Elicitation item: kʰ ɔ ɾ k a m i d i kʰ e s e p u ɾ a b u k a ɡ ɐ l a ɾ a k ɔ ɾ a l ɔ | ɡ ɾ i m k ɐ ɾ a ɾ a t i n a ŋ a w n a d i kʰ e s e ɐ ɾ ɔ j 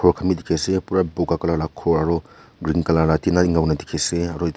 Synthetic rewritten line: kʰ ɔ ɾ kʰ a m i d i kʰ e s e p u ɾ a b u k a k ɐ l a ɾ a kʰ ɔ ɾ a ɾ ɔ | ɡ ɾ i ŋ k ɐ l a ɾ a t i n a ŋ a w n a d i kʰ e s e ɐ ɾ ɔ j